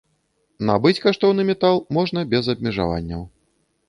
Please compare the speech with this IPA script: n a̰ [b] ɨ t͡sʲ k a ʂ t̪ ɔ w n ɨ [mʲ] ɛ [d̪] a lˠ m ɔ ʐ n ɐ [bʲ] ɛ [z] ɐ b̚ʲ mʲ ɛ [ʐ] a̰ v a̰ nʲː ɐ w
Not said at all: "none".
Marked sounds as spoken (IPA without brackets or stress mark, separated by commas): b, mʲ, t̪, bʲ, z, ʐ